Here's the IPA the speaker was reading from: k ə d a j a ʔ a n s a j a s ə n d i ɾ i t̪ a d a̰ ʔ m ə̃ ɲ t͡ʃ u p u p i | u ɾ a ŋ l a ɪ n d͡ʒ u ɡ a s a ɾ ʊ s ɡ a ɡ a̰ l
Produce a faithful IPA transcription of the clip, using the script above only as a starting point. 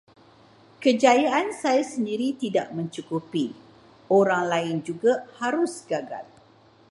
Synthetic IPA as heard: k ə d͡ʒ a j a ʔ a n s a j a s ə n d i ɾ i t̪ i d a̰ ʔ m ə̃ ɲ t͡ʃ u k u p i | o ɾ a ŋ l a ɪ n d͡ʒ u ɡ a h a ɾ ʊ s ɡ a ɡ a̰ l